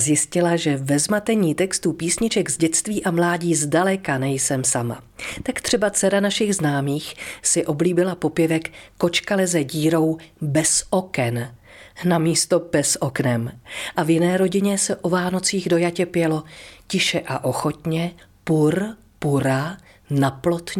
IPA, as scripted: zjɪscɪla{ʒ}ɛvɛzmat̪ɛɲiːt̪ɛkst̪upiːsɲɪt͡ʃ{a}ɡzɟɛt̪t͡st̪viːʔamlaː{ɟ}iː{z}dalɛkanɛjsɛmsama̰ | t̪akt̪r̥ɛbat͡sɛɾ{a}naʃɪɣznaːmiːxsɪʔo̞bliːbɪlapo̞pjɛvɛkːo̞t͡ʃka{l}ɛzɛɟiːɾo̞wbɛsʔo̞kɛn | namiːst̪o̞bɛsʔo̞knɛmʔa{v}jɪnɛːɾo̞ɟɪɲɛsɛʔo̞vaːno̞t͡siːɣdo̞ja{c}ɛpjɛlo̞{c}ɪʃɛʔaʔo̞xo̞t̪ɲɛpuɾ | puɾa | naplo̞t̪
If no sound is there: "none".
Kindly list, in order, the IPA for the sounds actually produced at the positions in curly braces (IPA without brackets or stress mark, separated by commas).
ʒ, ɛ, ɟ, z, a, l, v, c, c